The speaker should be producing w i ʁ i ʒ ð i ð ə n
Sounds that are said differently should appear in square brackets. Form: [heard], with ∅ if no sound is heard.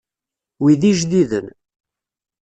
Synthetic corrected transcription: w i [ð] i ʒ ð i ð ə n